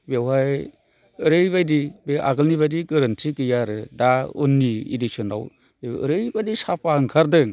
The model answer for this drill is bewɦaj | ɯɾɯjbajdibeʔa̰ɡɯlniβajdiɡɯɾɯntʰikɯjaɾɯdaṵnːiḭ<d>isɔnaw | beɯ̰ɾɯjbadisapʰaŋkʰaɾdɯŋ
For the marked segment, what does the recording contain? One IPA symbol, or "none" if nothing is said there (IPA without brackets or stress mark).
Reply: d